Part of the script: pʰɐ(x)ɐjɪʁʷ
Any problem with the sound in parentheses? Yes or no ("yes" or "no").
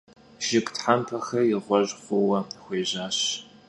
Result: no